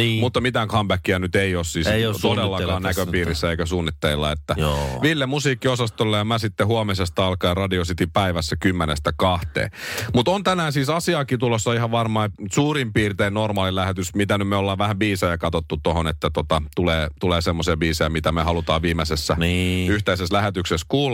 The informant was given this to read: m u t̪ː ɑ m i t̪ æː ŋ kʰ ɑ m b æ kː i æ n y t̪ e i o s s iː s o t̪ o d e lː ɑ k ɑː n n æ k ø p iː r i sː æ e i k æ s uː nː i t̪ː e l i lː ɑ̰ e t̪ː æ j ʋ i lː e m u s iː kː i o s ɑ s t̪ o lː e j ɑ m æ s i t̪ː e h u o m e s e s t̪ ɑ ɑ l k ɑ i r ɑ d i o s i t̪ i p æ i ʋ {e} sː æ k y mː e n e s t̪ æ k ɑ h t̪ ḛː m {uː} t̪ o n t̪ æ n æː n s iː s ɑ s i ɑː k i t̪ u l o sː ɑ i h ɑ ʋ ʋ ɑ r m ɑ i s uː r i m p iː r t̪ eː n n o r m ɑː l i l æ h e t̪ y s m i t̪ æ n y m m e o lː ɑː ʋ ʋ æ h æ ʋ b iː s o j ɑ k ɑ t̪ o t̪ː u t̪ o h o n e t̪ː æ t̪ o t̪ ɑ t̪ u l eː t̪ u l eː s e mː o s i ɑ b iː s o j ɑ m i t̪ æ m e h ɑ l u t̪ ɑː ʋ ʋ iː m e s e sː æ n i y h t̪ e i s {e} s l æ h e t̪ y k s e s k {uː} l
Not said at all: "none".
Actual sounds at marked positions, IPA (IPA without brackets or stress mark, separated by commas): æ, u, e, uː